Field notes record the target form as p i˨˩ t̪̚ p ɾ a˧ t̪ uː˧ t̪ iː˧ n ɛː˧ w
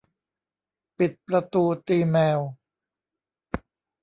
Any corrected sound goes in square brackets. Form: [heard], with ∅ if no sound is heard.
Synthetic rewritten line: p i˨˩ t̪̚ p ɾ a˧ t̪ uː˧ t̪ iː˧ [m] ɛː˧ w

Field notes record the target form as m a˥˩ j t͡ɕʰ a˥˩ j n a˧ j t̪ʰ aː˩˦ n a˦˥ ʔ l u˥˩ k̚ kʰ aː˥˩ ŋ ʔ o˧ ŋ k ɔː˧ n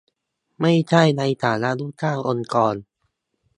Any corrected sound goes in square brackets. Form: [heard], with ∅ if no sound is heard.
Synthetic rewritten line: m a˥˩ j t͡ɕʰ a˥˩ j n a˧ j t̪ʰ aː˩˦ n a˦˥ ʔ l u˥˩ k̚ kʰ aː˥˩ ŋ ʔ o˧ [n] k ɔː˧ n

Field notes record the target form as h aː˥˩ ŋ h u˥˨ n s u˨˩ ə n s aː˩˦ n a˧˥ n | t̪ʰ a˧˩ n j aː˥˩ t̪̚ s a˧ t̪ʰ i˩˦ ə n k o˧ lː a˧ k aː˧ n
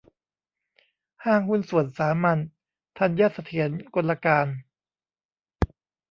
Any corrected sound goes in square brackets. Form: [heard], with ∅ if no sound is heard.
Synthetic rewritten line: h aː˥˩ ŋ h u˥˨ n s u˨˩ ə n s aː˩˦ [m] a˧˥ n | t̪ʰ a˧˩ n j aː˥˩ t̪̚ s a˧ t̪ʰ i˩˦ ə n k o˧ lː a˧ k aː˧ n

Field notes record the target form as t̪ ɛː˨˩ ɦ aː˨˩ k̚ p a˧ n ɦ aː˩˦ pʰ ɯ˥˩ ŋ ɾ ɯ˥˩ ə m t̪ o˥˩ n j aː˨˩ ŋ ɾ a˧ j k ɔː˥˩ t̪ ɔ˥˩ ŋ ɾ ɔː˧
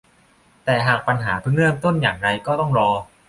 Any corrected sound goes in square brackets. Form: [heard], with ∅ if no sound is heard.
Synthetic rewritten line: t̪ ɛː˨˩ ɦ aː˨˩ k̚ p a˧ n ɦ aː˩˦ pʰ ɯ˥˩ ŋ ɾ ɯ˥˩ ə m t̪ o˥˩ n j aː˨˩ ŋ ɾ a˧ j k ɔː˥˩ t̪ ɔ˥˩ ŋ ɾ ɔː˧

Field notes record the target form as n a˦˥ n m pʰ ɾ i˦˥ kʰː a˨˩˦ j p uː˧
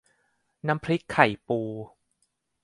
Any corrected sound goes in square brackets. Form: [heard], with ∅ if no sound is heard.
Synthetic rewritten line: n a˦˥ [∅] m pʰ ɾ i˦˥ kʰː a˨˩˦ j p uː˧

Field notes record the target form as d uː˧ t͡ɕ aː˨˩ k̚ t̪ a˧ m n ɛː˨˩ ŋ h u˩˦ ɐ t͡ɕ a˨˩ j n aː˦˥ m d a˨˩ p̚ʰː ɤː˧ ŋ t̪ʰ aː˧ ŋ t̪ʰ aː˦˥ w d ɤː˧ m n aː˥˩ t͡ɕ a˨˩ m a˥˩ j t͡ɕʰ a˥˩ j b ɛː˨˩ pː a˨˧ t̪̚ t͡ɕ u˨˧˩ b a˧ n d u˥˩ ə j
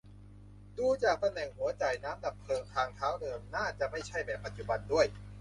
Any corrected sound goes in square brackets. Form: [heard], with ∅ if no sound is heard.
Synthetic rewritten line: d uː˧ t͡ɕ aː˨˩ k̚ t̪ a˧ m n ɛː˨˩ ŋ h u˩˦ ɐ t͡ɕ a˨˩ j n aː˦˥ m d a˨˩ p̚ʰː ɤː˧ ŋ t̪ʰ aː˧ ŋ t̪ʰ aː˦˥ w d ɤː˧ m n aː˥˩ t͡ɕ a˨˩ m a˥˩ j t͡ɕʰ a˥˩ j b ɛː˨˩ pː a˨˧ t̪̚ t͡ɕ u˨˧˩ b a˧ n d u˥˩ ə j

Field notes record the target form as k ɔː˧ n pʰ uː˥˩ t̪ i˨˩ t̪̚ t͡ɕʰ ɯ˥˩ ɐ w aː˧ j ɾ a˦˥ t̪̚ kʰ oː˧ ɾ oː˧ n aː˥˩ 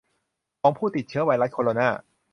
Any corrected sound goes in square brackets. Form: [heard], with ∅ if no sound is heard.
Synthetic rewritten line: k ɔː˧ [ŋ] pʰ uː˥˩ t̪ i˨˩ t̪̚ t͡ɕʰ [ɯ˦˥] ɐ w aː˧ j ɾ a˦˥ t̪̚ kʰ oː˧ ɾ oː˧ n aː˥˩

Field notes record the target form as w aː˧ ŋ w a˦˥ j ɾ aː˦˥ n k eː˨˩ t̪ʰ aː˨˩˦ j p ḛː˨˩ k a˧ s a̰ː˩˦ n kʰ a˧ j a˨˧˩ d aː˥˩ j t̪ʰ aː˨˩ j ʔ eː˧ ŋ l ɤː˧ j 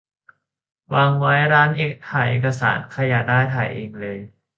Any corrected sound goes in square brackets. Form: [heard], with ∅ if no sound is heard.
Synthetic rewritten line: w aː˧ ŋ w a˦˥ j ɾ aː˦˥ n [ʔ] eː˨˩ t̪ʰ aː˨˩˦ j [ʔ] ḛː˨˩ k a˧ s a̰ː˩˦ n kʰ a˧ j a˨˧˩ d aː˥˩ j t̪ʰ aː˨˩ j ʔ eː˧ ŋ l ɤː˧ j

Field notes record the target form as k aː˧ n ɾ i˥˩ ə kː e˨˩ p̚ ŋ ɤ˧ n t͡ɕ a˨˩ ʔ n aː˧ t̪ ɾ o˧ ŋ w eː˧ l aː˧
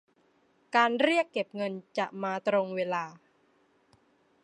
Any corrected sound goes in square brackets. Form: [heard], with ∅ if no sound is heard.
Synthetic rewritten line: k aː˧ n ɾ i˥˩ ə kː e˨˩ p̚ ŋ ɤ˧ n t͡ɕ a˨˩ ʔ [m] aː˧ t̪ ɾ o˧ ŋ w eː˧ l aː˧

